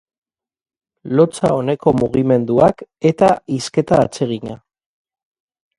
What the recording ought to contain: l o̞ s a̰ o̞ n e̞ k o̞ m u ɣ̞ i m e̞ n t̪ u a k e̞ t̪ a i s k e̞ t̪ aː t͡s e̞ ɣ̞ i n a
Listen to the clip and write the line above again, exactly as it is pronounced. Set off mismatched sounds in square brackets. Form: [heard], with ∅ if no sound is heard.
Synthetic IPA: l o̞ [t͡s] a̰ o̞ n e̞ k o̞ m u ɣ̞ i m e̞ n [d̪] u a k e̞ t̪ a i s k e̞ t̪ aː t͡s e̞ ɣ̞ i [ɲ] a